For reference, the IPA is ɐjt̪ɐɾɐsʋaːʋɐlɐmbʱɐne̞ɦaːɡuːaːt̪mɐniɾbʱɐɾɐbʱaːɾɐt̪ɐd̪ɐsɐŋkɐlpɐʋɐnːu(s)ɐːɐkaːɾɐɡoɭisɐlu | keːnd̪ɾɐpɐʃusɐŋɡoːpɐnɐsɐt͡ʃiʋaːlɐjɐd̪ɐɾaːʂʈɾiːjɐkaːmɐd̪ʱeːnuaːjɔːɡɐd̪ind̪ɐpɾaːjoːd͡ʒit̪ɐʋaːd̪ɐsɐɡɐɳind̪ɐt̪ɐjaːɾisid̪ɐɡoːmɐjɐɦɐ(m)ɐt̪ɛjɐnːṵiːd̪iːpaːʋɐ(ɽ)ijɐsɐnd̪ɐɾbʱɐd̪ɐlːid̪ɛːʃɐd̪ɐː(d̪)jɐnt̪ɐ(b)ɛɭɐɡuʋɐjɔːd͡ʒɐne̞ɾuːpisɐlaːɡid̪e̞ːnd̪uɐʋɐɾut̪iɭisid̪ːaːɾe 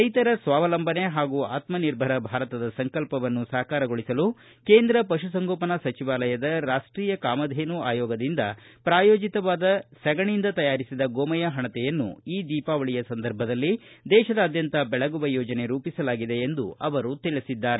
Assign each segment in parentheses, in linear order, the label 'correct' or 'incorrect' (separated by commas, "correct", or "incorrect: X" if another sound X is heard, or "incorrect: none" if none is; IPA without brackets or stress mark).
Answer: correct, incorrect: ɳ, incorrect: ɭ, correct, correct